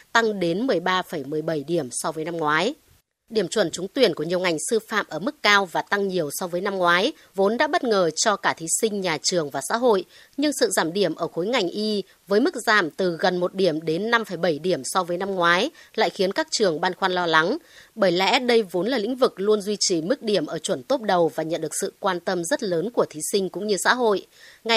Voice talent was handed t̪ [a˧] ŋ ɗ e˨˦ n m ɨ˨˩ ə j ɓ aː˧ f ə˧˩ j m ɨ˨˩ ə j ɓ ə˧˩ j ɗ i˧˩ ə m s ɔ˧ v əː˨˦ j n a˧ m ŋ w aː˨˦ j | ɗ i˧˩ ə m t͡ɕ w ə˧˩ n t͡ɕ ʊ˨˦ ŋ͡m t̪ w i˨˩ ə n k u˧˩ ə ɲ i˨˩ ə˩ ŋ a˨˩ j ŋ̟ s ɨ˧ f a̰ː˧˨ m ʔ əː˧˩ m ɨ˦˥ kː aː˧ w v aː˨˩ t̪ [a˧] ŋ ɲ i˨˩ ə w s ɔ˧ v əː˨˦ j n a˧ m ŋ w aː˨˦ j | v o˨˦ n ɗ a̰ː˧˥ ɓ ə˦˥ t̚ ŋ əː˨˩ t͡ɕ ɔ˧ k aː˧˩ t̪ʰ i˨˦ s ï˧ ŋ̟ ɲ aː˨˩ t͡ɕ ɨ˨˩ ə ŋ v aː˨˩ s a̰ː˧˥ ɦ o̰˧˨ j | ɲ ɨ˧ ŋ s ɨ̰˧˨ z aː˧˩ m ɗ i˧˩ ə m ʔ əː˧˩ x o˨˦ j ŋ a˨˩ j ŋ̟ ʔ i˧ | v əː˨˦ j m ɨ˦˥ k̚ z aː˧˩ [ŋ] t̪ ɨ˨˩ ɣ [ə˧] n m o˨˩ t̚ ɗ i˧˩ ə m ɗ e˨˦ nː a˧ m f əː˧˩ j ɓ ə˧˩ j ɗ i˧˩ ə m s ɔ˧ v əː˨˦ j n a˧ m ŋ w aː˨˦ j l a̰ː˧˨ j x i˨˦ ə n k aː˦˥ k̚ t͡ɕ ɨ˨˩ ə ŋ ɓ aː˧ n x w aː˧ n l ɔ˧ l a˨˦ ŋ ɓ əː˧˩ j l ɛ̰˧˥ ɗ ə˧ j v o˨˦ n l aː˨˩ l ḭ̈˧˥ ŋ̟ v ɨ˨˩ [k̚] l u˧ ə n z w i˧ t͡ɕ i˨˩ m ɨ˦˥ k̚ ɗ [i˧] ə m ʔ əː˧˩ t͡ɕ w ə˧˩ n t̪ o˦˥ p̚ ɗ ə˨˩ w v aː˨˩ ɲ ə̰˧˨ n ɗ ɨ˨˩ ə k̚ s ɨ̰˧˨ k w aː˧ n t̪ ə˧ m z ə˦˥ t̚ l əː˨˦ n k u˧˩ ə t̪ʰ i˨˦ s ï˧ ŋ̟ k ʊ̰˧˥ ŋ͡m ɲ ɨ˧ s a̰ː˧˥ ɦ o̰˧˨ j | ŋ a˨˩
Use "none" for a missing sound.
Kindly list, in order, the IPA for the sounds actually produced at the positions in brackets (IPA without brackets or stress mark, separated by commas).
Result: a˧, a˧, m, ə˨˩, k̚, i˧˩